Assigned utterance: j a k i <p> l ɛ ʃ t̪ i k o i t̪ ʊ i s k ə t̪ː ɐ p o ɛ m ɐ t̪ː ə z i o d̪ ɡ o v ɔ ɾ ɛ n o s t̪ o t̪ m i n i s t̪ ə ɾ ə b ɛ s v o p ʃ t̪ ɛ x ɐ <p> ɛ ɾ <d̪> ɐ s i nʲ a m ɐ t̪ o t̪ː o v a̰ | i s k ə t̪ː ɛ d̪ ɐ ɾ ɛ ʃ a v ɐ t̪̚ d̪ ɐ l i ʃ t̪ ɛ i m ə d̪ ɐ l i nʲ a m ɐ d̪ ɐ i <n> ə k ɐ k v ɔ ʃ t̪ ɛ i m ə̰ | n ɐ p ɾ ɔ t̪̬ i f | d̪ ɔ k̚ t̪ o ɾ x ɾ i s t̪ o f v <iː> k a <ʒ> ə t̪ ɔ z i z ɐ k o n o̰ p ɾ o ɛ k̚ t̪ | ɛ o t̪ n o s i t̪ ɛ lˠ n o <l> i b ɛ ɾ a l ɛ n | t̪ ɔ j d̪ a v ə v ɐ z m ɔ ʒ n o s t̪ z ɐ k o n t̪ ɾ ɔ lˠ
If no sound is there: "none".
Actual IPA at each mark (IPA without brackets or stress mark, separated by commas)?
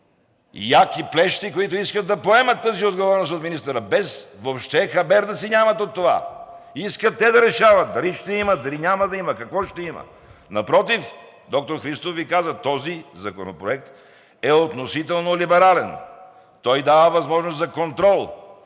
p, b, d̪, m, i, z, l